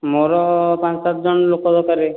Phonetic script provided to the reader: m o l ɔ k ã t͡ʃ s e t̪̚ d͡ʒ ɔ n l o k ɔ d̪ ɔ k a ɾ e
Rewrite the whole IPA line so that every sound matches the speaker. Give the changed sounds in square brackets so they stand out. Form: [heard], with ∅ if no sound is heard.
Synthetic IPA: m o [ɾ] ɔ [p] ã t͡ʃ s [a] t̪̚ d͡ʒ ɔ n l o k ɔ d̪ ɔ k a ɾ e